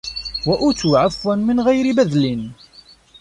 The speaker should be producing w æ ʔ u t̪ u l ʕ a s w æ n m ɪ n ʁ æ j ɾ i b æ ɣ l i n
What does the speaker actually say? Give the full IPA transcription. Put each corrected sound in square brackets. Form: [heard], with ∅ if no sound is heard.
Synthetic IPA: w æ ʔ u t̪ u [∅] ʕ a [f] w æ n m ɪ n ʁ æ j ɾ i b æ [ð] l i n

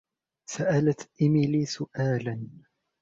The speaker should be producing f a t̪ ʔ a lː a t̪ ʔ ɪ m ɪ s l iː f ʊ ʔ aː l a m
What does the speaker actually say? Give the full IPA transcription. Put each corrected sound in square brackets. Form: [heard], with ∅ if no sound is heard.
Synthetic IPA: [s] a [∅] ʔ a [l] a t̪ ʔ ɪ m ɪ [∅] l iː [s] ʊ ʔ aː l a [n]

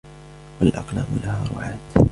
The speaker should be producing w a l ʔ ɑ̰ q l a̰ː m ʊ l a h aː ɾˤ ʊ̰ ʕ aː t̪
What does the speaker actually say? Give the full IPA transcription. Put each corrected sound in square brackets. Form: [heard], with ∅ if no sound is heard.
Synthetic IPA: w a l ʔ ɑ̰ q l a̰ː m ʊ l a h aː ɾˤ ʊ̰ ʕ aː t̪

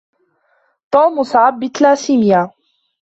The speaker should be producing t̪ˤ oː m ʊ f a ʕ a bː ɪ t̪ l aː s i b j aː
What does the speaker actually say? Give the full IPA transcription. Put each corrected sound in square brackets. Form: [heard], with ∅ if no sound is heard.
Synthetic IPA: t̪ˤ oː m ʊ [s] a ʕ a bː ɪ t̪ l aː s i [m] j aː

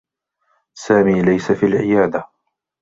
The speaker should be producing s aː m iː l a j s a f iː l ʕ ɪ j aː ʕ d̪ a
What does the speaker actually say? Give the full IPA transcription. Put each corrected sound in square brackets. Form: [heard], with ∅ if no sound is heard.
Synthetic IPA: s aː m iː l a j s a f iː l ʕ ɪ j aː [∅] d̪ a

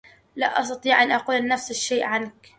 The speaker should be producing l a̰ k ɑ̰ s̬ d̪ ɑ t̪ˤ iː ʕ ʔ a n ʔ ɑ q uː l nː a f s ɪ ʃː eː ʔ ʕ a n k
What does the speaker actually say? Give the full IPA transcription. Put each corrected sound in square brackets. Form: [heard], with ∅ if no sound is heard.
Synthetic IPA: l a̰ [ʔ] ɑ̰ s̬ [t̪] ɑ t̪ˤ iː ʕ ʔ a n ʔ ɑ q uː l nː a f s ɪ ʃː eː ʔ ʕ a n k

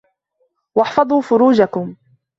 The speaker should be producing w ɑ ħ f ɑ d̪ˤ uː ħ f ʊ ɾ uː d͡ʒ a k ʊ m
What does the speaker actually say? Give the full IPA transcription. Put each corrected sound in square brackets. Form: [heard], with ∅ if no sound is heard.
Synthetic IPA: w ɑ ħ f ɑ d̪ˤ uː [∅] f ʊ ɾ uː d͡ʒ a k ʊ m

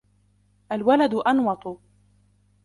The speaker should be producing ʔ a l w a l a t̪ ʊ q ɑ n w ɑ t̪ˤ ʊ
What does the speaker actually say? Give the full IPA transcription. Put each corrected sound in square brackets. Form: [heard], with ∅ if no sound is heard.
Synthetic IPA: ʔ a l w a l a [d̪] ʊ [ʔ] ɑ n w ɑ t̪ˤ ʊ

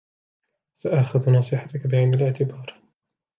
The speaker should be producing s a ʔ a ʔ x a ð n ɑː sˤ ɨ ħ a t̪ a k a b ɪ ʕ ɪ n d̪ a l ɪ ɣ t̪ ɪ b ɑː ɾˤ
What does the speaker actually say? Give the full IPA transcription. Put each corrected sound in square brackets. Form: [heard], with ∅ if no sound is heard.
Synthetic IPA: s a ʔ a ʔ x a ð n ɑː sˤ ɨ ħ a t̪ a k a b ɪ ʕ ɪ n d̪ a l ɪ [ʕ] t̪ ɪ b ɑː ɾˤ

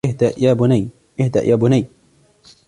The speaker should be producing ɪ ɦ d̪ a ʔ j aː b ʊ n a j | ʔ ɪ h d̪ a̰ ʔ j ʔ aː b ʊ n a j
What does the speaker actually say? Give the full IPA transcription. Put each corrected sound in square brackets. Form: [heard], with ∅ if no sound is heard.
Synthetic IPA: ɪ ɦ d̪ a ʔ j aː b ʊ n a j | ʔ ɪ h d̪ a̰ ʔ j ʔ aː b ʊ n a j

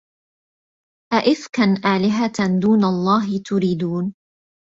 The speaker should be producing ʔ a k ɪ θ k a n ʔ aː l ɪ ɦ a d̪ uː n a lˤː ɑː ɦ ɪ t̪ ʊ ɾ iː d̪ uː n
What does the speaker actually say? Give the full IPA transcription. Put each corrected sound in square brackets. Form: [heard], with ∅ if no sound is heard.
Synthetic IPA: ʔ a [ʔ] ɪ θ k a n ʔ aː l ɪ ɦ a d̪ uː n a lˤː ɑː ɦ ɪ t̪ ʊ ɾ iː d̪ uː n

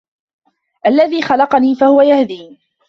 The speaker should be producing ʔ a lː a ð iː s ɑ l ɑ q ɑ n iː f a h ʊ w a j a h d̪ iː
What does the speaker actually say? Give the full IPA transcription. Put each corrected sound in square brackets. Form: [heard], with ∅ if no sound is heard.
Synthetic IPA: ʔ a lː a ð iː [x] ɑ l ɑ q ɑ n iː f a h ʊ w a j a h d̪ iː

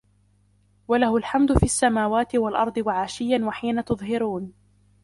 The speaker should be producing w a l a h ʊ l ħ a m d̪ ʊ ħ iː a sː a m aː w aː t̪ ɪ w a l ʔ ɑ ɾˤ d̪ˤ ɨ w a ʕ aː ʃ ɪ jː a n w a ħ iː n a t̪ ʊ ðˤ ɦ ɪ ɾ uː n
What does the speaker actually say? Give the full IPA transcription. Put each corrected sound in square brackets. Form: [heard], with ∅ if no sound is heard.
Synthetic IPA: w a l a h ʊ l ħ a m d̪ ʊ [f] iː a sː a m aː w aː t̪ ɪ w a l ʔ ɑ ɾˤ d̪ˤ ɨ w a ʕ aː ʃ ɪ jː a n w a ħ iː n a t̪ ʊ ðˤ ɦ ɪ ɾ uː n

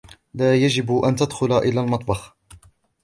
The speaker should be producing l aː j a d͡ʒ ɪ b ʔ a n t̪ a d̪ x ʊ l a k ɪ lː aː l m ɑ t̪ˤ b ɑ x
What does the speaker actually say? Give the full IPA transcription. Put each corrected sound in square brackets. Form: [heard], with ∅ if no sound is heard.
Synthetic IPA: l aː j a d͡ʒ ɪ b ʔ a n t̪ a d̪ x ʊ l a [ʔ] ɪ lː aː l m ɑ t̪ˤ b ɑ x

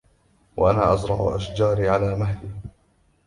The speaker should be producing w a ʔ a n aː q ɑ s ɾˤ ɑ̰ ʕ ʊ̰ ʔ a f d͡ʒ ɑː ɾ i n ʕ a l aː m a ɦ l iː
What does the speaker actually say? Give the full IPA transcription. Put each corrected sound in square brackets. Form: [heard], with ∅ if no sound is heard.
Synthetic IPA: w a ʔ a n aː [ʔ] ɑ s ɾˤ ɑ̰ ʕ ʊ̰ ʔ a [ʃ] d͡ʒ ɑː ɾ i [∅] ʕ a l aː m a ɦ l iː

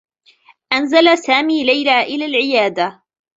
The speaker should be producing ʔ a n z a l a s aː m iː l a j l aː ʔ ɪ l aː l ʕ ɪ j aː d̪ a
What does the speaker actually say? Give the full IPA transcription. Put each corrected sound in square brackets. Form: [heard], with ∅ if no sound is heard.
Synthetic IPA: ʔ a n z a l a s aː m iː l a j l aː ʔ ɪ l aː l ʕ ɪ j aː d̪ a

